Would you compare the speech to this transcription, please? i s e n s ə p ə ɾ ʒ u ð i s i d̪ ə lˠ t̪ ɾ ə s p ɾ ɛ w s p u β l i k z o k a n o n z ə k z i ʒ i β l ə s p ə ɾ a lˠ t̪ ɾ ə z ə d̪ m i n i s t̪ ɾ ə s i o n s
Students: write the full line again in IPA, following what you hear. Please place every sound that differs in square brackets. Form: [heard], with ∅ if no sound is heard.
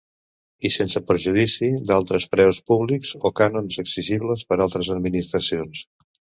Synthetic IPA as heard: i s e n s ə p ə ɾ ʒ u ð i s i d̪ [a] lˠ t̪ ɾ ə s p ɾ ɛ w s p u β l i k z o k a n o n z ə k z i ʒ i β l ə s p ə ɾ a lˠ t̪ ɾ ə z ə d̪ m i n i s t̪ ɾ ə s i o n s